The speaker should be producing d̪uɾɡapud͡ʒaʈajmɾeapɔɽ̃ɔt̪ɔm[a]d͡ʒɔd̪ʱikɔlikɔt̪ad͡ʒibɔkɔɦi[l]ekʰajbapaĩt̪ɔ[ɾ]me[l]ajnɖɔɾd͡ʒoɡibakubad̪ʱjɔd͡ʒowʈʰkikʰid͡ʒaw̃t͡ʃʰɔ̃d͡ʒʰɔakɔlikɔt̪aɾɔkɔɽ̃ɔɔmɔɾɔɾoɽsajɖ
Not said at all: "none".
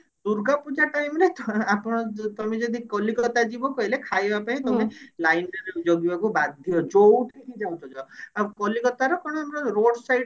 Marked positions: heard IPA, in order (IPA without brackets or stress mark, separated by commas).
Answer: e, l, none, l